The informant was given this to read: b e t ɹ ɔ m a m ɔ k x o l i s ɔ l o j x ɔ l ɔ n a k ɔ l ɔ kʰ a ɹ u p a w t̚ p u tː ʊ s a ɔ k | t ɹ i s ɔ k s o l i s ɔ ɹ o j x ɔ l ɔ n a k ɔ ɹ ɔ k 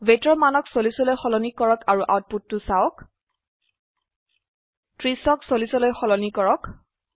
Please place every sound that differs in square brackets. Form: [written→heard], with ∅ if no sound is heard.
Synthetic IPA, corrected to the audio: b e t ɹ ɔ m a [m→n] ɔ k [x→s] o l i s ɔ l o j x ɔ l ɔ n [a→i] k ɔ [l→ɹ] ɔ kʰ a ɹ u [p→ʔ] a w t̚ p u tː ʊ s a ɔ k | t ɹ i s ɔ k s o l i s ɔ [ɹ→l] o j x ɔ l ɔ n [a→i] k ɔ ɹ ɔ k

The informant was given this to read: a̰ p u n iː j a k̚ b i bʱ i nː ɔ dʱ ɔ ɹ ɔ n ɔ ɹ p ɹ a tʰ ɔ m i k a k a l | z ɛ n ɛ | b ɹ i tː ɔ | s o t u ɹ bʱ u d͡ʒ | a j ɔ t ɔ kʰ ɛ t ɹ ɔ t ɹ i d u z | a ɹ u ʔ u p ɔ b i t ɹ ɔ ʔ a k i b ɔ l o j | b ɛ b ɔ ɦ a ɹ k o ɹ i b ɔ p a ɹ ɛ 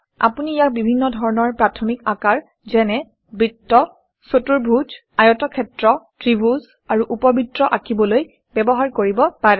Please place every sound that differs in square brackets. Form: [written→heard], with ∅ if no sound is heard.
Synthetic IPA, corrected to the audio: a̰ p u n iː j a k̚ b i bʱ i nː ɔ dʱ ɔ ɹ ɔ n ɔ ɹ p ɹ a tʰ ɔ m i k a k a [l→ɹ] | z ɛ n ɛ | b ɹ i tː ɔ | s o t u ɹ bʱ u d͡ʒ | a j ɔ t ɔ kʰ ɛ t ɹ ɔ t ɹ i [d→b] u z | a ɹ u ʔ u p ɔ b i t ɹ ɔ ʔ a k i b ɔ l o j | b ɛ b ɔ ɦ a ɹ k o ɹ i b ɔ p a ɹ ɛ

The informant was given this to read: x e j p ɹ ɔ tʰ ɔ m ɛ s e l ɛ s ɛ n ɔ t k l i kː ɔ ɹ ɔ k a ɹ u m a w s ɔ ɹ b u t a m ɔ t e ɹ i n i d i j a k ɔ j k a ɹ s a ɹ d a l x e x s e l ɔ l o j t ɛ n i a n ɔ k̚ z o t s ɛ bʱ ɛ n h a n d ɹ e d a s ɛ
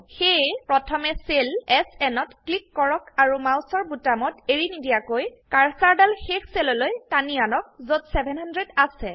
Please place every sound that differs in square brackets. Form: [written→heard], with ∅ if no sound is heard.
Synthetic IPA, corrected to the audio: x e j p ɹ ɔ tʰ ɔ m ɛ s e l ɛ s ɛ n ɔ t k l i kː ɔ ɹ ɔ k a ɹ u m a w s ɔ ɹ b u t a m ɔ t e ɹ i n i d i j a k [ɔ→o] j k a ɹ s a ɹ d a l x e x s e l ɔ l o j t [ɛ→a] n i a n ɔ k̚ z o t s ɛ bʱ ɛ n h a n d ɹ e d a s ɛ

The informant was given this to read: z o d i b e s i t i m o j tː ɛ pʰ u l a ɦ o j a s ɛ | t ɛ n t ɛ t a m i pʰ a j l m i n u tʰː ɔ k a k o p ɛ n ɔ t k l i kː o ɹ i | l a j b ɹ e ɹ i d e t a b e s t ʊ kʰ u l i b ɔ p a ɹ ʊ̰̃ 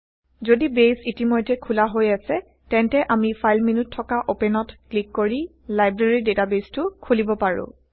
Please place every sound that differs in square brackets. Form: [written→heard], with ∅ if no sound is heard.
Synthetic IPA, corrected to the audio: z o d i b e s i t i m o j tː ɛ [pʰ→kʰ] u l a ɦ o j a s ɛ | t ɛ n t ɛ [t→ʔ] a m i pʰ a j l m i n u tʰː ɔ k a [k→ʔ] o p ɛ n ɔ t k l i kː o ɹ i | l a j b ɹ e ɹ i d e t a b e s t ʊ kʰ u l i b ɔ p a ɹ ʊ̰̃

